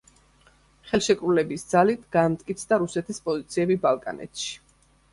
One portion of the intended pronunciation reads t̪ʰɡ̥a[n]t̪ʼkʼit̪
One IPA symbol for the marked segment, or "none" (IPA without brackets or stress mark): m